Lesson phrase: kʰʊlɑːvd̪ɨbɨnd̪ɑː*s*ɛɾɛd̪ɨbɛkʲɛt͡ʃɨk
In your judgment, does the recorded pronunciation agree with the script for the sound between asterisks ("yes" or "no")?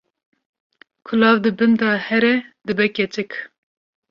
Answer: no